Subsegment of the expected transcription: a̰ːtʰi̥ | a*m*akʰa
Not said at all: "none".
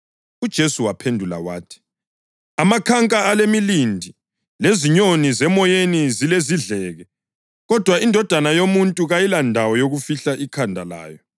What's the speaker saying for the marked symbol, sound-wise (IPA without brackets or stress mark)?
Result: m